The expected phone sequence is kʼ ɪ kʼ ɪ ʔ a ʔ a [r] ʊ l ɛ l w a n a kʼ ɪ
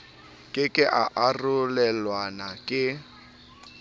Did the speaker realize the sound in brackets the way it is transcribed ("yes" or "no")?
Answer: yes